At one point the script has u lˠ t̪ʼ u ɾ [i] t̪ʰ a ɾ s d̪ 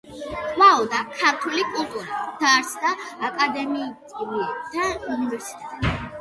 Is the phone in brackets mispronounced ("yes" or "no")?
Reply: yes